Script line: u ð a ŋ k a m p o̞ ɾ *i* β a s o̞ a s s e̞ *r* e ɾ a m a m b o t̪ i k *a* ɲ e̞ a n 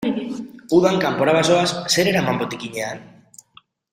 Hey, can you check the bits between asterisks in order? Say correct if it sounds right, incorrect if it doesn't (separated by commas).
incorrect, incorrect, incorrect